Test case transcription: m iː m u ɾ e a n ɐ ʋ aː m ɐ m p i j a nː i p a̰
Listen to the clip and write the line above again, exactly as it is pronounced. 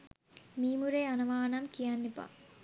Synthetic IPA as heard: m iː m u ɾ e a n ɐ ʋ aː n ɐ m k i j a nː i p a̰